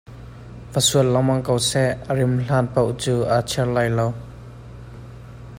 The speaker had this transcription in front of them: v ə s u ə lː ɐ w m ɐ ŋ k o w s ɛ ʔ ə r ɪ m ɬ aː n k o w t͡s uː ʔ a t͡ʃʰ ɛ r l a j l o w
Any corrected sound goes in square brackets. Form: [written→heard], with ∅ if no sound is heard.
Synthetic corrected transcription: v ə s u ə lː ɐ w m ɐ ŋ k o w s ɛ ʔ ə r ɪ m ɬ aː n [k→p] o w t͡s uː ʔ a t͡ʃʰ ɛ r l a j l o w